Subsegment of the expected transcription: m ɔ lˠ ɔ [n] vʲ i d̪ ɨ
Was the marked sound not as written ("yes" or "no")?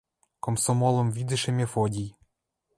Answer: yes